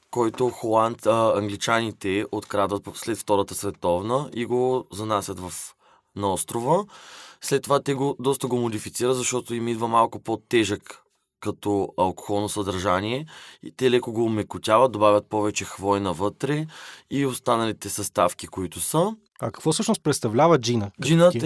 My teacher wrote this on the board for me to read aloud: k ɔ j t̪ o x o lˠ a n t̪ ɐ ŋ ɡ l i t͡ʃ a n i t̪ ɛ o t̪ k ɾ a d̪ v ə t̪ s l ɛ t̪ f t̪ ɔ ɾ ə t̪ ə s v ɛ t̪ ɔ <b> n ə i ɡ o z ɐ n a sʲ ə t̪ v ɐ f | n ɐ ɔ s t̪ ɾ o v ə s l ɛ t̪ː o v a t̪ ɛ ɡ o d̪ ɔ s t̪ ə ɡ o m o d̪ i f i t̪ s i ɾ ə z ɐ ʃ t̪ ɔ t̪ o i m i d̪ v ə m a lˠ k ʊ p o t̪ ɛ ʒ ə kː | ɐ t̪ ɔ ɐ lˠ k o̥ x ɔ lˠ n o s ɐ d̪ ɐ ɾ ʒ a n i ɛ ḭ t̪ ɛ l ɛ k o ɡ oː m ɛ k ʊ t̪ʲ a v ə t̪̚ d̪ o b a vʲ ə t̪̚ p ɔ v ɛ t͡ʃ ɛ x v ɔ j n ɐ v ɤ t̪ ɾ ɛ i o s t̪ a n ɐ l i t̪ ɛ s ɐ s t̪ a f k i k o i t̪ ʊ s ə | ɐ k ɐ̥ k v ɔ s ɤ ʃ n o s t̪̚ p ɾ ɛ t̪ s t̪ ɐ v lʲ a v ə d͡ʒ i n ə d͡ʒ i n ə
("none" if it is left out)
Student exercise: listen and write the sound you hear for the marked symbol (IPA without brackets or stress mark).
v